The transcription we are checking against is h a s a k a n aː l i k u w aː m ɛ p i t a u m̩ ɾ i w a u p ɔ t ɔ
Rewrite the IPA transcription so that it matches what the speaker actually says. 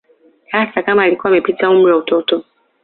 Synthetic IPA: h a s a k a m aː l i k u w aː m ɛ p i t a u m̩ ɾ i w a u t ɔ t ɔ